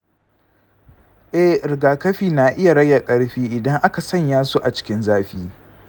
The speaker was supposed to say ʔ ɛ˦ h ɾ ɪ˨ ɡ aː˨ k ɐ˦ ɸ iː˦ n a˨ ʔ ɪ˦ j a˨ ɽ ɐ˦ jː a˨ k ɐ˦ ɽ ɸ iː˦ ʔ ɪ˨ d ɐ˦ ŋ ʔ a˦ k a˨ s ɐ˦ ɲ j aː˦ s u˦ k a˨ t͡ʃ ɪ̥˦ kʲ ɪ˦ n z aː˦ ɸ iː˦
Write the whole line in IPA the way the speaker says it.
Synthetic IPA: ʔ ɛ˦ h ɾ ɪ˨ ɡ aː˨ k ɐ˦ ɸ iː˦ n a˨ ʔ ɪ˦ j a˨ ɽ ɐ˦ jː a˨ kʼ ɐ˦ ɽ ɸ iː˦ ʔ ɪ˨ d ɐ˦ ŋ ʔ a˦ k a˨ s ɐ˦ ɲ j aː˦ s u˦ ʔ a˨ t͡ʃ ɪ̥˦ kʲ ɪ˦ n z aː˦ ɸ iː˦